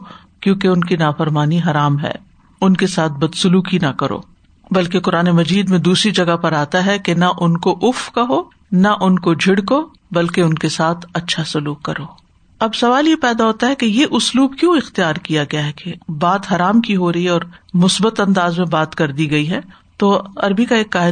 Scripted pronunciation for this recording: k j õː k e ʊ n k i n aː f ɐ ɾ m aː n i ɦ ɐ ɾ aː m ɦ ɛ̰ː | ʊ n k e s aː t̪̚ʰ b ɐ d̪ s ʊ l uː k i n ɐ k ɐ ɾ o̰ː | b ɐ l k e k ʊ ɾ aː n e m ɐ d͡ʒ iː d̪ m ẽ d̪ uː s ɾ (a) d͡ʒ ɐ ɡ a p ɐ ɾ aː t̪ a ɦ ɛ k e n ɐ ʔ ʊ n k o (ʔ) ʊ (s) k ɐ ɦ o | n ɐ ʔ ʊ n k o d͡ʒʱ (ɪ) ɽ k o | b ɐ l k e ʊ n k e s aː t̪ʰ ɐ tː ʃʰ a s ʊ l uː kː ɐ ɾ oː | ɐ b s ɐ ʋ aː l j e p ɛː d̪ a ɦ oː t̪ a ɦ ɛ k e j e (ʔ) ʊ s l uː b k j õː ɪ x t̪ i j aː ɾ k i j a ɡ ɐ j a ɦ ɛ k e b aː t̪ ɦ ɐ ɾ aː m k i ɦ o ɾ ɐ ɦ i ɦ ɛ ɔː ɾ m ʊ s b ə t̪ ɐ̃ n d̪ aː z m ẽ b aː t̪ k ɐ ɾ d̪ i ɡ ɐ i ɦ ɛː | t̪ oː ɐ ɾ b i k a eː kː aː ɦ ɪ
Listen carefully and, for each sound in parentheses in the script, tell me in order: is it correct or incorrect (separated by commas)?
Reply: incorrect, correct, incorrect, correct, correct